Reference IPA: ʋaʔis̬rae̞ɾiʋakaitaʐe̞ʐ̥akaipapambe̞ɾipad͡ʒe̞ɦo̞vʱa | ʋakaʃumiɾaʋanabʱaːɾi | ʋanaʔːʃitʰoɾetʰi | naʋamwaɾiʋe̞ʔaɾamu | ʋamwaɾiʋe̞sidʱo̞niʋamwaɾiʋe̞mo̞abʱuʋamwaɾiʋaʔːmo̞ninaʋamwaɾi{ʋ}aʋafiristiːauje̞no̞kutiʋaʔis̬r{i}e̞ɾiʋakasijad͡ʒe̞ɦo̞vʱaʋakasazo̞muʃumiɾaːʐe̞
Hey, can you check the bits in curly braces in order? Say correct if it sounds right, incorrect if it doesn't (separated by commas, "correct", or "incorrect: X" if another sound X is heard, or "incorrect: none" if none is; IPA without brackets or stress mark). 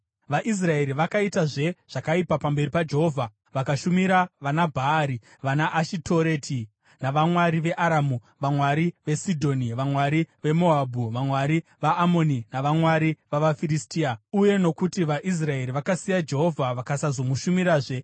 correct, incorrect: a